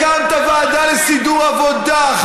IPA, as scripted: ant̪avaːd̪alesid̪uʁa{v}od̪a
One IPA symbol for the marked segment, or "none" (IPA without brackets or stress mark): v